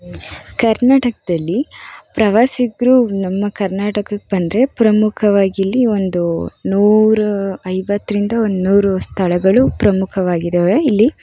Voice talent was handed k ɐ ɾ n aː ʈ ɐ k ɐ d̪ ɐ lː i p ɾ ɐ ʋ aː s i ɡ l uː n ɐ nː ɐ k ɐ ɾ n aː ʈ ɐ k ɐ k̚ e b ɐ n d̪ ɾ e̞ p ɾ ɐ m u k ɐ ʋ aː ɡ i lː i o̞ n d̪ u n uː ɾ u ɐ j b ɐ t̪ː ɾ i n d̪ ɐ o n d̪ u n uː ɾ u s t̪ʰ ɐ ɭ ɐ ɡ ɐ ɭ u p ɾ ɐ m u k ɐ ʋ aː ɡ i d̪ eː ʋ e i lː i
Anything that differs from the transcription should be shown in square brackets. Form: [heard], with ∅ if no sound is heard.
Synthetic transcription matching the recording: k ɐ ɾ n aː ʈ ɐ k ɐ d̪ ɐ lː i p ɾ ɐ ʋ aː s i ɡ [ɾ] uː n ɐ [mː] ɐ k ɐ ɾ n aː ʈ ɐ k ɐ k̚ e b ɐ n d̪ ɾ e̞ p ɾ ɐ m u [kʰ] ɐ ʋ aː ɡ i lː i o̞ n d̪ u n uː ɾ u ɐ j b ɐ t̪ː ɾ i n d̪ ɐ o n d̪ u n uː ɾ u s t̪ʰ ɐ ɭ ɐ ɡ ɐ ɭ u p ɾ ɐ m u [kʰ] ɐ ʋ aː ɡ i d̪ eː ʋ e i lː i